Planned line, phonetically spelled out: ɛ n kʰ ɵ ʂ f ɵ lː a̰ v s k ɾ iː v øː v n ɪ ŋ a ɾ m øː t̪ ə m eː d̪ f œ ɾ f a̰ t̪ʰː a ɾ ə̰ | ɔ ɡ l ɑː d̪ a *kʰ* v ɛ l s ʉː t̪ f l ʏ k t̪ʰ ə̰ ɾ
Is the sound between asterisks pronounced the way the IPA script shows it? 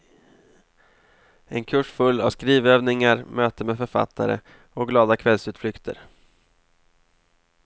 yes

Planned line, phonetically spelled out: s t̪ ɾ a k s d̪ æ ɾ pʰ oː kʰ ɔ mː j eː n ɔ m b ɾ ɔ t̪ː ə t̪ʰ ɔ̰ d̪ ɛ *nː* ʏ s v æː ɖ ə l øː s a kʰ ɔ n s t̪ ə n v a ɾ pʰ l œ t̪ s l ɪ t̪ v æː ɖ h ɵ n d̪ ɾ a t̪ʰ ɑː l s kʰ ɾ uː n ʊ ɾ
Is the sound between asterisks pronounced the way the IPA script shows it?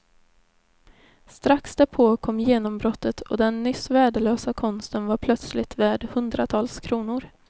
yes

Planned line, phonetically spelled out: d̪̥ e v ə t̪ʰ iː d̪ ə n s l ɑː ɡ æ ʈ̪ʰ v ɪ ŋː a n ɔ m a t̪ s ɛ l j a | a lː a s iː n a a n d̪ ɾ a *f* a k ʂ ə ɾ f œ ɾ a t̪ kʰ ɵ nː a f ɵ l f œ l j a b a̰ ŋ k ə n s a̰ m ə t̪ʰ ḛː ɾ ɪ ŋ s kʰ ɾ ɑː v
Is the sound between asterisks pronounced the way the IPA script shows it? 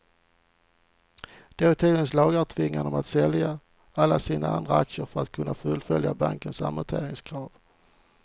no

